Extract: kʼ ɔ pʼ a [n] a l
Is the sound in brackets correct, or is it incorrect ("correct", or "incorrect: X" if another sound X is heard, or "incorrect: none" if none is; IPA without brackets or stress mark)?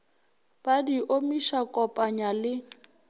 incorrect: ɲ